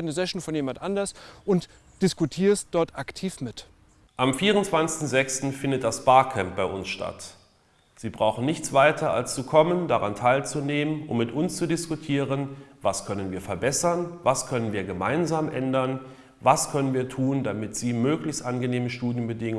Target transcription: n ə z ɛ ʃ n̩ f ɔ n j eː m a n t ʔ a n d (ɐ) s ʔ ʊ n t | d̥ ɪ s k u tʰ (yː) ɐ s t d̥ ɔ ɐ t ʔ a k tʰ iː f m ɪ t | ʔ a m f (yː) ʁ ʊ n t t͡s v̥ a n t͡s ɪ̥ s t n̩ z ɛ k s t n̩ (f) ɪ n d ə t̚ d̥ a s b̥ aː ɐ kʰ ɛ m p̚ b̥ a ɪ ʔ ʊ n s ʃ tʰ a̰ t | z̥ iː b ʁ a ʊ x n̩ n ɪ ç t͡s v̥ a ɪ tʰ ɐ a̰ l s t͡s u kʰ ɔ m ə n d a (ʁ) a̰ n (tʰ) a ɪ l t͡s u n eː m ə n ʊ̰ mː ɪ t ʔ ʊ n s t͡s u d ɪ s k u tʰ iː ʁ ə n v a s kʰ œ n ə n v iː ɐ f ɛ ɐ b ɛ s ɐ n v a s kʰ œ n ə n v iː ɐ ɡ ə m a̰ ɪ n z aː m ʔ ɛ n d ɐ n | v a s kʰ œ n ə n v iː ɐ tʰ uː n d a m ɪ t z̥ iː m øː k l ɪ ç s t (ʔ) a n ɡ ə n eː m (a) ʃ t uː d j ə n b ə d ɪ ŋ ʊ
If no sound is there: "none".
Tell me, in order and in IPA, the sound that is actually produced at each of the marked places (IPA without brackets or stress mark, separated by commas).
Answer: ɐ, iː, iː, f, ʁ, tʰ, ʔ, ə